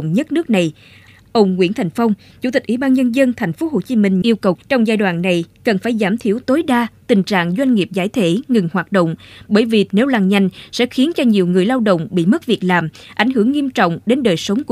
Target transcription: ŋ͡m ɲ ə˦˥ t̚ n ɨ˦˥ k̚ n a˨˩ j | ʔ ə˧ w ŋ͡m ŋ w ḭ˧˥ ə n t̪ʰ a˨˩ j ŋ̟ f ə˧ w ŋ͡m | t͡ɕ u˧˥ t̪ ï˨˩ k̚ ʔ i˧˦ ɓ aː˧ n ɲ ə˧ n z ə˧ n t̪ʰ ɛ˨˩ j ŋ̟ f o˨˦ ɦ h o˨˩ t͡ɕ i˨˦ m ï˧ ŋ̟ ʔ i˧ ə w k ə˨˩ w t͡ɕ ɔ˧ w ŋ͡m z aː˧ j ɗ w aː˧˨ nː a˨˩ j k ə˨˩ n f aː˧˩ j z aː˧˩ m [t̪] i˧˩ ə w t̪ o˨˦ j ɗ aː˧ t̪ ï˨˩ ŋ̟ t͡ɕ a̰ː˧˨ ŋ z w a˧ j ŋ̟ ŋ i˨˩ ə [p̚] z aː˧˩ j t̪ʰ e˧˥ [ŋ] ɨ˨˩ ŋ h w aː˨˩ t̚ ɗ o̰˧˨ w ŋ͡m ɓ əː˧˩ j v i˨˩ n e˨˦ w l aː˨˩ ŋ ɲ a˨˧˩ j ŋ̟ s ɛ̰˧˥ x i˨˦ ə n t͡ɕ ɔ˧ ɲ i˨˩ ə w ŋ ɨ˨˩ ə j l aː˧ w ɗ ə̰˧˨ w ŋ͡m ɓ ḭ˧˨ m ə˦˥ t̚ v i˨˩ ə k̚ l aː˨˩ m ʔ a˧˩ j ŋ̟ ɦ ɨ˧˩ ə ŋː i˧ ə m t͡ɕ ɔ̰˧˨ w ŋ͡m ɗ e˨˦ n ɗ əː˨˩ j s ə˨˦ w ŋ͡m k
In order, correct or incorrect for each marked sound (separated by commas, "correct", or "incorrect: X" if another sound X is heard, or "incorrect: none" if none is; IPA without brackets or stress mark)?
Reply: incorrect: t̪ʰ, correct, correct